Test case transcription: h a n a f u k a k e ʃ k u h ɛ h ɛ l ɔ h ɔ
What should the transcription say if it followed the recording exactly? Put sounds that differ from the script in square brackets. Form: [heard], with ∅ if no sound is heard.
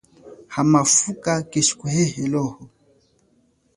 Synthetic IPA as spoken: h a [m] a f u k a k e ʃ k u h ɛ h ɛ l ɔ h ɔ